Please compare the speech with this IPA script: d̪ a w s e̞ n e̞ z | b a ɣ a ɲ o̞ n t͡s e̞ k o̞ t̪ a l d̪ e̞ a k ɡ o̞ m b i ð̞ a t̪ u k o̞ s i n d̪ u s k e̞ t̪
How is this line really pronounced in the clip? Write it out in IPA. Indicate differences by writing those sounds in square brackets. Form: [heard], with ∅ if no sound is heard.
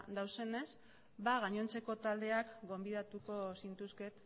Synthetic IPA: d̪ a w s e̞ n e̞ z | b a ɣ a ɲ o̞ n t͡s e̞ k o̞ t̪ a l d̪ e̞ a k ɡ o̞ m b i ð̞ a t̪ u k o̞ s i n [t̪] u s k e̞ t̪